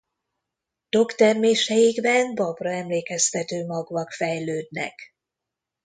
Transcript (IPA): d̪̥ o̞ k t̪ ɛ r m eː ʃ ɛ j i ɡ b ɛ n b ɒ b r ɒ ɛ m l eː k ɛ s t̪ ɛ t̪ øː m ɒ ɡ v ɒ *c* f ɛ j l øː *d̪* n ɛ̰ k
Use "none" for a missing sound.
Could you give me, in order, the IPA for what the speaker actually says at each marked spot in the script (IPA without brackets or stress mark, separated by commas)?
k, d̪